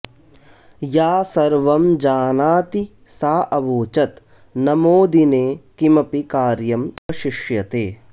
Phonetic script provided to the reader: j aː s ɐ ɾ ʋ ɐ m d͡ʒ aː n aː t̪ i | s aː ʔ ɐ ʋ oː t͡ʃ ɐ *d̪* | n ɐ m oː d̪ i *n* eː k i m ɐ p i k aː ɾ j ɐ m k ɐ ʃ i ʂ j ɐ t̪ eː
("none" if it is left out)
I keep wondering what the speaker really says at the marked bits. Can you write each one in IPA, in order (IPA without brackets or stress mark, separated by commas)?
t̪, n